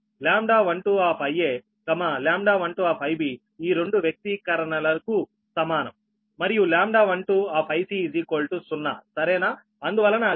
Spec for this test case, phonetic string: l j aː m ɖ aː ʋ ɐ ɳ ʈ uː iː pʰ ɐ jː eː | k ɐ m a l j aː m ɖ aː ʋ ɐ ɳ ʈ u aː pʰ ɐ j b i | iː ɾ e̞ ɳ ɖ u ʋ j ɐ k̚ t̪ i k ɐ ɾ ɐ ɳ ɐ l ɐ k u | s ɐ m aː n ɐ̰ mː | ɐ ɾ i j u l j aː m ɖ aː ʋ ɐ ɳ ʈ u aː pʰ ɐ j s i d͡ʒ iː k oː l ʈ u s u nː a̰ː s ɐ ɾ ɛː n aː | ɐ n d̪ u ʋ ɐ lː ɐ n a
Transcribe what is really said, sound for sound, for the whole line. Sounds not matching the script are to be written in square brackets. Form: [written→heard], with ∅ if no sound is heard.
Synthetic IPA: l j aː m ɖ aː ʋ ɐ ɳ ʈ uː [iː→aː] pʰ ɐ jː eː | k ɐ m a l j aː m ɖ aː ʋ ɐ ɳ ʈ u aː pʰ ɐ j b i | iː ɾ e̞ ɳ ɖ u ʋ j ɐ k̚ t̪ i k ɐ ɾ ɐ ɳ ɐ l ɐ k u | s ɐ m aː n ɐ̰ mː | ɐ ɾ i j u l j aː m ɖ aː ʋ ɐ ɳ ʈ u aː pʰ ɐ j s i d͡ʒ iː k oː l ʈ u s u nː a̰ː s ɐ ɾ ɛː n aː | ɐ n d̪ u ʋ ɐ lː ɐ n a